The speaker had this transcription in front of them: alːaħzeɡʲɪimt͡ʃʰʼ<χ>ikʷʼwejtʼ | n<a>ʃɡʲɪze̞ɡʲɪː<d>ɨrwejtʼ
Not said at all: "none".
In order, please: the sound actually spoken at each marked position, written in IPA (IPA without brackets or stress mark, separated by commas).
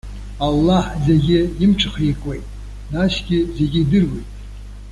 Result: χ, a, d